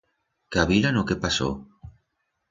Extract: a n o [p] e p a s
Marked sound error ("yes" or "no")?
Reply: yes